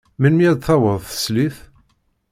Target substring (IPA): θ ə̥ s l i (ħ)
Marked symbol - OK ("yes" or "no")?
no